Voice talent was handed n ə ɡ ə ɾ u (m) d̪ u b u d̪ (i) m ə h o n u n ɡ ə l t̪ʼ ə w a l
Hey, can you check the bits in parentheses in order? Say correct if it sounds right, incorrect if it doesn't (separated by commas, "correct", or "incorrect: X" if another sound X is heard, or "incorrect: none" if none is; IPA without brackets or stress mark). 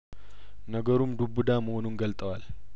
correct, incorrect: a